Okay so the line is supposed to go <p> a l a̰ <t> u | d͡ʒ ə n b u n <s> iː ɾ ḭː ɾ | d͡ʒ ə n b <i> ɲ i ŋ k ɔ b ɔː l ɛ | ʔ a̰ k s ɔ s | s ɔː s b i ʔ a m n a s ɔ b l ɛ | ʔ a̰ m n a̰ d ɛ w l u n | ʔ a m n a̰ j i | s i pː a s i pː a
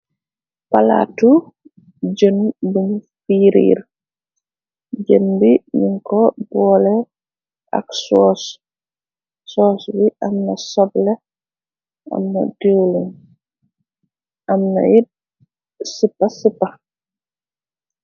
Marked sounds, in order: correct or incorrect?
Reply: correct, correct, incorrect, correct

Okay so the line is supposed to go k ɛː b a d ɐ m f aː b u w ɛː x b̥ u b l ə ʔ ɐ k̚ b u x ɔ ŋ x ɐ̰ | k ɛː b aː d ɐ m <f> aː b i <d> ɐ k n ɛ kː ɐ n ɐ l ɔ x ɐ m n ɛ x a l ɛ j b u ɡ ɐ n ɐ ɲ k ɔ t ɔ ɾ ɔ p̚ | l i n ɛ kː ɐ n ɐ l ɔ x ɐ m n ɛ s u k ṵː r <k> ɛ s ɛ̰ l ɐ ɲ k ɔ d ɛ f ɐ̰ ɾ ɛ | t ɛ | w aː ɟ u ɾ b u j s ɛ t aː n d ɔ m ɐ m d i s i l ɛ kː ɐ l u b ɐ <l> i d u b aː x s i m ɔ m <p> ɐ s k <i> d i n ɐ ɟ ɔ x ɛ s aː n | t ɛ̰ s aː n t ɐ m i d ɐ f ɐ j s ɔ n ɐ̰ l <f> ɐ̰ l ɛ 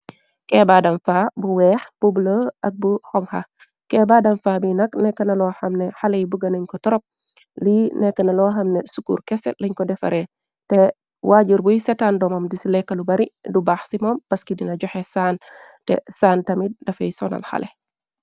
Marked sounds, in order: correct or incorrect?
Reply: correct, incorrect, correct, incorrect, correct, correct, incorrect

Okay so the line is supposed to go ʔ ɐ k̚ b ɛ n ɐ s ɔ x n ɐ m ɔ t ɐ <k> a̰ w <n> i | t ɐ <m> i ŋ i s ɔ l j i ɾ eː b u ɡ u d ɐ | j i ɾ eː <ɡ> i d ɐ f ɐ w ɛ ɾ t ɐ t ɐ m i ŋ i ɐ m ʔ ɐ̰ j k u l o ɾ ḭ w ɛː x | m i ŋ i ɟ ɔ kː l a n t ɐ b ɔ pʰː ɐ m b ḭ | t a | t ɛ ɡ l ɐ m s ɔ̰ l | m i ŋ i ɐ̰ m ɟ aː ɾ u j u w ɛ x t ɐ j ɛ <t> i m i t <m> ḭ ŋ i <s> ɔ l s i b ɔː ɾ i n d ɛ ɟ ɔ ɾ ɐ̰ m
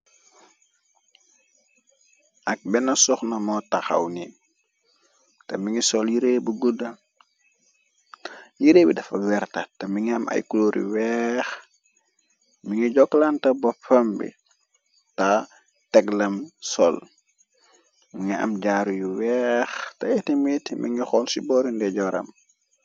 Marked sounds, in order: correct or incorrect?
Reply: incorrect, correct, correct, incorrect, correct, correct, incorrect

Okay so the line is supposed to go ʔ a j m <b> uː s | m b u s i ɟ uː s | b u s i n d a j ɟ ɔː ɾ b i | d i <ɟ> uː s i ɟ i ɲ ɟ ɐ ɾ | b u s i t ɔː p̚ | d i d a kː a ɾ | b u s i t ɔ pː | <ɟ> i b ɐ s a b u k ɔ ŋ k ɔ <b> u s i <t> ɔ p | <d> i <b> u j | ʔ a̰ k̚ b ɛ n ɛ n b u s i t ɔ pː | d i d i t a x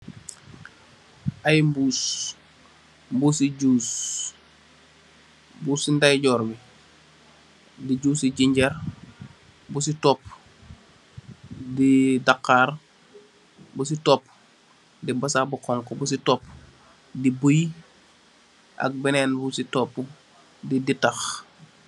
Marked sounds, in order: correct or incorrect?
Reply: correct, correct, incorrect, correct, correct, correct, correct

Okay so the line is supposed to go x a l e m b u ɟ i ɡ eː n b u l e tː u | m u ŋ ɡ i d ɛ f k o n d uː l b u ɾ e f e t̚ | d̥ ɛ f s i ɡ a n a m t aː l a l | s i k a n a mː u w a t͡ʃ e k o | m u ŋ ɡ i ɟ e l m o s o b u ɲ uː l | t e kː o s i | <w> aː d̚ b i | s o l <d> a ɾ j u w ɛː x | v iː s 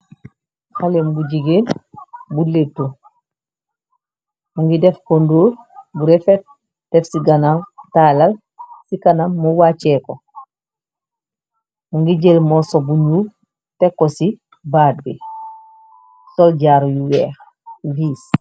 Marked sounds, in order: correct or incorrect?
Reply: incorrect, incorrect

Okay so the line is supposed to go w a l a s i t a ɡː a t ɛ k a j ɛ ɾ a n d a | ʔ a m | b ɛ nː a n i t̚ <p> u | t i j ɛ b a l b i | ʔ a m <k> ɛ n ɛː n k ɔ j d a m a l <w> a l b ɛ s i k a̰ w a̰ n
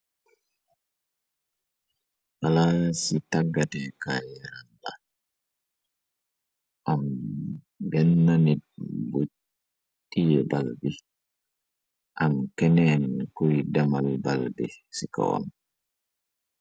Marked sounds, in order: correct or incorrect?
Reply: incorrect, correct, incorrect

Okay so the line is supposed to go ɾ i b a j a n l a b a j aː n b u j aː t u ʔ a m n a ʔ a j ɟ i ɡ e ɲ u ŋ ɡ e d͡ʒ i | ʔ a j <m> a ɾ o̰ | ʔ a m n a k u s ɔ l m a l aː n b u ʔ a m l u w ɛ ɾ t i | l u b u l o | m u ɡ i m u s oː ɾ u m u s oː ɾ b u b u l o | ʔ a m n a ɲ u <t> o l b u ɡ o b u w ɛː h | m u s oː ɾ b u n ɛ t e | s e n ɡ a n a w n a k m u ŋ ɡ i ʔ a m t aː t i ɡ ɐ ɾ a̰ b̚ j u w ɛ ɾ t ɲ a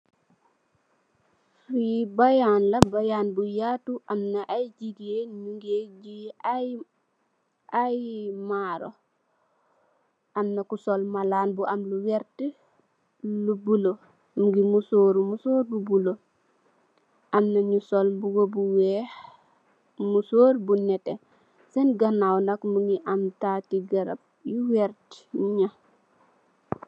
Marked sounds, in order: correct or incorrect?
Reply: correct, incorrect

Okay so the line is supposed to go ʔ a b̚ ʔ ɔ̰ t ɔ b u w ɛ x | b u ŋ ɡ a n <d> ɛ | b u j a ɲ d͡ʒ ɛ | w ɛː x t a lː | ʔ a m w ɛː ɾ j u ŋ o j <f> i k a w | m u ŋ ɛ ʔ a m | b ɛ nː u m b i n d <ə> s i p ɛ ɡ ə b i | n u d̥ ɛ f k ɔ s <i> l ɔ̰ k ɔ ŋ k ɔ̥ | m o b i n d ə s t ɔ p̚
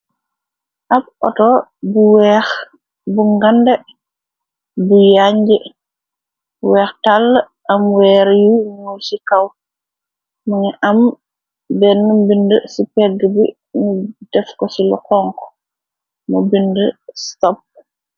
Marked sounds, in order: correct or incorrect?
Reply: correct, incorrect, correct, correct

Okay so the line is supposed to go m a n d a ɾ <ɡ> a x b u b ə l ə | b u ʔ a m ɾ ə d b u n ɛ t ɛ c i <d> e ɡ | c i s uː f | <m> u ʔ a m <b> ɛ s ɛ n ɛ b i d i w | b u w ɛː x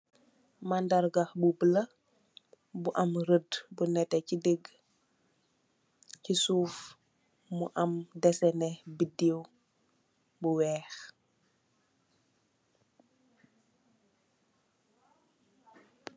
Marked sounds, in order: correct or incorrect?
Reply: correct, correct, correct, incorrect

